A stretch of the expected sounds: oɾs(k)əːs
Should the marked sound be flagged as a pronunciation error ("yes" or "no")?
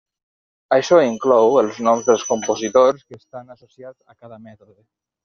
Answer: no